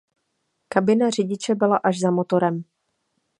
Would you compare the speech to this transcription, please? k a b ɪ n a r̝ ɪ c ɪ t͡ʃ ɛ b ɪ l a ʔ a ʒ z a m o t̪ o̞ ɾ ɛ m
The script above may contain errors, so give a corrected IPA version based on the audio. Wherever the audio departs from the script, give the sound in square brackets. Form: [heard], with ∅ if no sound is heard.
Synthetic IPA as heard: k a b ɪ n a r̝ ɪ [ɟ] ɪ t͡ʃ ɛ b ɪ l a ʔ a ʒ z a m o t̪ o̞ ɾ ɛ m